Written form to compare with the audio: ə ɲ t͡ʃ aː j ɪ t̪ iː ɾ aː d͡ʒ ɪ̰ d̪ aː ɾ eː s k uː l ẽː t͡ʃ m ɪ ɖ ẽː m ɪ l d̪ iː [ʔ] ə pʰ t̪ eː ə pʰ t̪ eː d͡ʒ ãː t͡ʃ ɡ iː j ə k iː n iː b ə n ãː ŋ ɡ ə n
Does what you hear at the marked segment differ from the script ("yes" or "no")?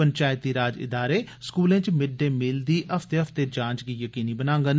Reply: no